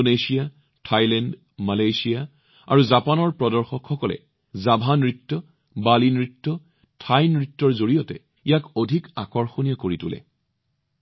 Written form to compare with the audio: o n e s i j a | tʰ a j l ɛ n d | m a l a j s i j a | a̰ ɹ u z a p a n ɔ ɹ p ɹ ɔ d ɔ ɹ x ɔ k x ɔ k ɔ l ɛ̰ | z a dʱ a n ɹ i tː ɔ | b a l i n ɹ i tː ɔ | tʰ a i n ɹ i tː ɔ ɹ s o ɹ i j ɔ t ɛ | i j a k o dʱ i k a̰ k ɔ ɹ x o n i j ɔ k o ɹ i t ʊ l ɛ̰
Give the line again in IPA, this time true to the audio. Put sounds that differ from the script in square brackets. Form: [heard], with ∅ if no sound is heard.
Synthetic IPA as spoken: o n e s i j a | tʰ a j l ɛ n d | m a l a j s i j a | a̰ ɹ u z a p a n ɔ ɹ p ɹ ɔ d ɔ ɹ x ɔ k x ɔ k ɔ l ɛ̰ | z a [bʱ] a n ɹ i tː ɔ | b a l i n ɹ i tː ɔ | tʰ a [j] n ɹ i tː ɔ ɹ [z] o ɹ i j ɔ t ɛ | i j a k o dʱ i k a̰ k ɔ ɹ x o n i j ɔ k o ɹ i t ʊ l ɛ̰